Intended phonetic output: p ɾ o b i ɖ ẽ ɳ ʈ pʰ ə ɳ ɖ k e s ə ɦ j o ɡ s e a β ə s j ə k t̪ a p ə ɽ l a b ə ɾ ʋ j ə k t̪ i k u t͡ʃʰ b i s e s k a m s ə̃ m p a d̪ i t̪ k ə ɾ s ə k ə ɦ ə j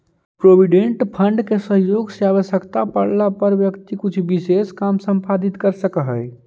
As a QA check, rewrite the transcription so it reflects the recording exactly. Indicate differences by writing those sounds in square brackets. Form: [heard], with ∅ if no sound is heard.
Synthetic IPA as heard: p ɾ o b i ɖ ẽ ɳ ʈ pʰ ə ɳ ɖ k e s ə ɦ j o ɡ s e a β ə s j ə k t̪ a p ə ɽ l a [p] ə ɾ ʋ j ə k t̪ i k u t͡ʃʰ b i s e s k a m s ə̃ m p a d̪ i t̪ k ə ɾ s ə k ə ɦ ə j